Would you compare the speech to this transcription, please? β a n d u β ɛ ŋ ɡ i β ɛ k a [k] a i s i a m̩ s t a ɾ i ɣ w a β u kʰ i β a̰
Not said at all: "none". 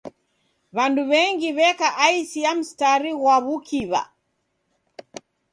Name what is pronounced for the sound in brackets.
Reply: ʔ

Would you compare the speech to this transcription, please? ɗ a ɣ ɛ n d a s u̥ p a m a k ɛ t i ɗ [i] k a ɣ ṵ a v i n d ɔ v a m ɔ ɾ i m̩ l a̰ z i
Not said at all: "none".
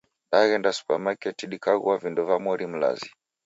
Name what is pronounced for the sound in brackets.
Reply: i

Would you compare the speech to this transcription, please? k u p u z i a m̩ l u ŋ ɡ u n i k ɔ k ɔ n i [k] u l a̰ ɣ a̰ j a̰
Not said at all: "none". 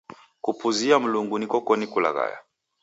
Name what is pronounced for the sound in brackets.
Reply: k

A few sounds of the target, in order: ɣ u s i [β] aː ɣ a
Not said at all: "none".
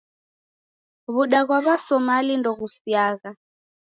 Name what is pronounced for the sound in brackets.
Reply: none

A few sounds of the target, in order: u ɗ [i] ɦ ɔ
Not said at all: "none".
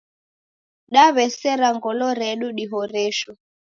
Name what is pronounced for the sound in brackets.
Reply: i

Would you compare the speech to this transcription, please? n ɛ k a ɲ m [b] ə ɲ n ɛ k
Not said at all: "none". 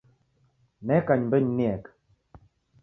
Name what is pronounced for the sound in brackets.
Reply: b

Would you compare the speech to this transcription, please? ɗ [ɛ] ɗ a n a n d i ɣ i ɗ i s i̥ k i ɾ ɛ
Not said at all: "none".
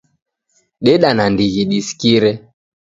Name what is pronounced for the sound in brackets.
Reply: ɛ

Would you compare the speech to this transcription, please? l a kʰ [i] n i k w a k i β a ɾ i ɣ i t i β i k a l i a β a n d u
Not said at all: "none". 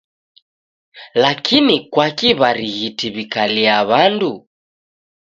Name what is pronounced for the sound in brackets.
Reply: i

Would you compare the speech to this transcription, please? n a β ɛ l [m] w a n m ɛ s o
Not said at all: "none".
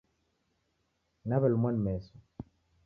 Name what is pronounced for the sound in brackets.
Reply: m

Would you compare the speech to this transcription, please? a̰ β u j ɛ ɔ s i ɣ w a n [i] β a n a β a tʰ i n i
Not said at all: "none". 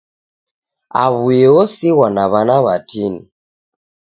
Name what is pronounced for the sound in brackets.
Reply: a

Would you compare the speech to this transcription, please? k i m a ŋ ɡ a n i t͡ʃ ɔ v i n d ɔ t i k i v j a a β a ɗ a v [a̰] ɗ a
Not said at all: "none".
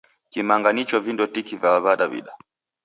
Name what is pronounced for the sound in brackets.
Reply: ḭ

